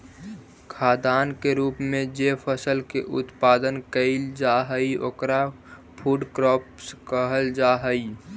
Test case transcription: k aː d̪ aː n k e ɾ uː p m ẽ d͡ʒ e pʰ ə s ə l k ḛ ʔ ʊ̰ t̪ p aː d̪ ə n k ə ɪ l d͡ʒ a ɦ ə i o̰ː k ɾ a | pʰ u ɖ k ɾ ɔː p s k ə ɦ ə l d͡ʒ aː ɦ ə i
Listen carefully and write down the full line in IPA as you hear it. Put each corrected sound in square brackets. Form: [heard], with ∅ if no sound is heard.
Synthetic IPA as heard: [kʰ] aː d̪ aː n k e ɾ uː p m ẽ d͡ʒ e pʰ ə s ə l k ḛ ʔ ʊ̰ t̪ p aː d̪ ə n k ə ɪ l d͡ʒ a ɦ ə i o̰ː k ɾ a | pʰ u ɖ k ɾ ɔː p s k ə ɦ ə l d͡ʒ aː ɦ ə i